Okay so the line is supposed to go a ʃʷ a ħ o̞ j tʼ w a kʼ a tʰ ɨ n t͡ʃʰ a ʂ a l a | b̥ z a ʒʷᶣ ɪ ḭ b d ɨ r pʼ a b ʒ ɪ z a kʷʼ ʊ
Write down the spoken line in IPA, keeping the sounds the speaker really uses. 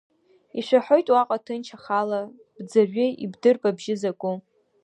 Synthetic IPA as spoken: i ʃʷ a ħ o̞ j tʼ w a qʼ a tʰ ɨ n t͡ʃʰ a χ a l a | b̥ d͡z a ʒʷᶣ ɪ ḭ b d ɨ r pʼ a b ʒ ɪ z a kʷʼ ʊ